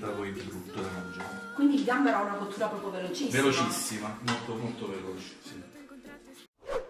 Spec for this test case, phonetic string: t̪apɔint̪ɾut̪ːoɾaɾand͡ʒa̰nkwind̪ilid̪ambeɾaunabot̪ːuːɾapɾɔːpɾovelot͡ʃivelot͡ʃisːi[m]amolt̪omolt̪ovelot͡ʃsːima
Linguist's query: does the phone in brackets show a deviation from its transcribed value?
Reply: no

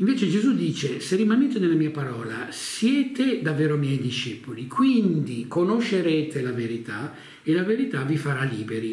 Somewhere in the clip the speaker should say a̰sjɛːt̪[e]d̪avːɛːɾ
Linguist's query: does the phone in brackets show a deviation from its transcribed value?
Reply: no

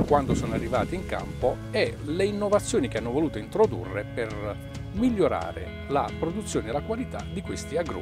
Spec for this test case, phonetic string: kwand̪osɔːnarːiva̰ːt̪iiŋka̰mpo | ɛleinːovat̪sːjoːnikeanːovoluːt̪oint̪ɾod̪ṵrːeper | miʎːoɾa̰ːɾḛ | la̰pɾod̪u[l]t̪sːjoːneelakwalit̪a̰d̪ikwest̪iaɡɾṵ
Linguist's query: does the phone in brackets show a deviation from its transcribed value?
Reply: yes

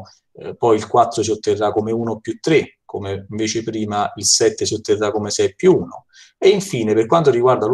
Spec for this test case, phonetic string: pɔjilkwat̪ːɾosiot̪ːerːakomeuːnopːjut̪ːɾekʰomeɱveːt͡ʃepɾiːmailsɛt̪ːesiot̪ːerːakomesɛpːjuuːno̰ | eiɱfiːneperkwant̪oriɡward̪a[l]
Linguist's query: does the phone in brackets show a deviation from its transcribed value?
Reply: no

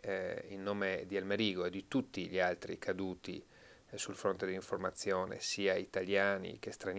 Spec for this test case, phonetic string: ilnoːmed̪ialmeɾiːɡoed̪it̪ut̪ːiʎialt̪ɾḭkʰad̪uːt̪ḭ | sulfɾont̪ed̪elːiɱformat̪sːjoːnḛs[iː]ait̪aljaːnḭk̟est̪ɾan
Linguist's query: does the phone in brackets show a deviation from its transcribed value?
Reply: no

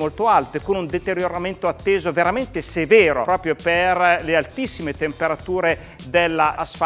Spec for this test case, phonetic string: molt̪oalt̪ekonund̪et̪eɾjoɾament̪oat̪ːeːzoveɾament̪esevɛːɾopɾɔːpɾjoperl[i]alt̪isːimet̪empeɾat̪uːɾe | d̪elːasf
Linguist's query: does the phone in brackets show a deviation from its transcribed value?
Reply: yes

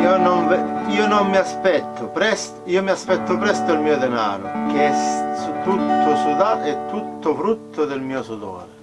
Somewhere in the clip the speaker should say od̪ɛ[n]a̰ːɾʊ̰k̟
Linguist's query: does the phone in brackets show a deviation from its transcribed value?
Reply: no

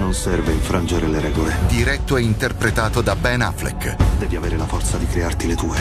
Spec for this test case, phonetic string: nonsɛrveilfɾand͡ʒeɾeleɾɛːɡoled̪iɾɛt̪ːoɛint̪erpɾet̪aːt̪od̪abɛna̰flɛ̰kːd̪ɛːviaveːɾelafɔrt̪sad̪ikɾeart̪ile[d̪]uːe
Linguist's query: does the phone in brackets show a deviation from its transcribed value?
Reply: yes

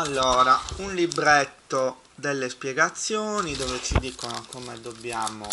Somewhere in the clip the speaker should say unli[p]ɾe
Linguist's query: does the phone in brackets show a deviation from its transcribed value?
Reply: yes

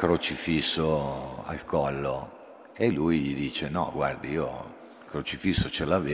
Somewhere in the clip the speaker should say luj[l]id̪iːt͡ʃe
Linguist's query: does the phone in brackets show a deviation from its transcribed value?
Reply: yes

